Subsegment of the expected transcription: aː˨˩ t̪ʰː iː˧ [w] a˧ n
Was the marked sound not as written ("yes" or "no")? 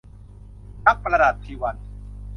no